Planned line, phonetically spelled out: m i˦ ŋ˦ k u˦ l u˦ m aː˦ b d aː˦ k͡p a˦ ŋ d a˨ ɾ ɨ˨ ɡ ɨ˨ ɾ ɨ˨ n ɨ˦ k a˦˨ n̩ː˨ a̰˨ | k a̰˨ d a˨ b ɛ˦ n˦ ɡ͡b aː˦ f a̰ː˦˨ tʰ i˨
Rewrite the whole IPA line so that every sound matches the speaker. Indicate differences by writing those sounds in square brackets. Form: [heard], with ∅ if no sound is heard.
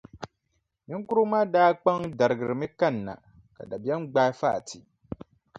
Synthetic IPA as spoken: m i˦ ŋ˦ k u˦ [ɾ] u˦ m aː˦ [∅] d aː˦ k͡p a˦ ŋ d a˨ ɾ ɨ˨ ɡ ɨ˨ ɾ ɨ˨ [m] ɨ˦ k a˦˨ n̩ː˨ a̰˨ | k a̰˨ d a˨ b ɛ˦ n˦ ɡ͡b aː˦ f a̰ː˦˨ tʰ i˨